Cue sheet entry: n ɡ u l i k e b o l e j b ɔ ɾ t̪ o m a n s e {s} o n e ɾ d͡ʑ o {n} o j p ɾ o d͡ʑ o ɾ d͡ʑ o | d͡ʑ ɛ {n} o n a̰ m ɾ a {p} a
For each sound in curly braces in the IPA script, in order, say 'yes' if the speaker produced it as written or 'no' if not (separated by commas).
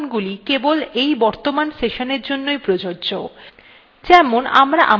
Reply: no, no, no, no